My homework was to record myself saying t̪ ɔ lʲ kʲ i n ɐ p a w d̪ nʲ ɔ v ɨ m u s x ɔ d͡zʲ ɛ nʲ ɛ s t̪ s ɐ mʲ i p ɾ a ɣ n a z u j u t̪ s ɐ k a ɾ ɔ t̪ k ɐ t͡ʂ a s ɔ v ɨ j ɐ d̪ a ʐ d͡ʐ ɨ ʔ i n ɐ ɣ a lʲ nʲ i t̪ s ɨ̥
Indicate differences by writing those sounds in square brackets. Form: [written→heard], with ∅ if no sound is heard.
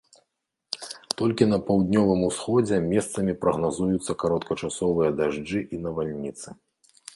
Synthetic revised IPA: t̪ ɔ lʲ kʲ i n ɐ p a w d̪ nʲ ɔ v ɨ m u s x ɔ d͡zʲ ɛ [nʲ→mʲ] ɛ s t̪ s ɐ mʲ i p ɾ [a→ɐ] ɣ n a z u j u t̪ [s→sː] ɐ k a ɾ ɔ t̪ k ɐ t͡ʂ a s ɔ v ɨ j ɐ d̪ a ʐ d͡ʐ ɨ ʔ i n ɐ [ɣ→v] a lʲ nʲ i t̪ s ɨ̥